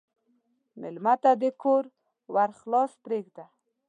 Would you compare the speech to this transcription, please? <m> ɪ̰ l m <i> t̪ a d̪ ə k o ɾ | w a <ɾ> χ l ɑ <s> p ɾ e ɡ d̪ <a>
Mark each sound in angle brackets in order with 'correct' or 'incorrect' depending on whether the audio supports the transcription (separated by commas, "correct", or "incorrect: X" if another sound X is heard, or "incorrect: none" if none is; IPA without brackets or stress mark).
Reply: correct, incorrect: a, correct, correct, correct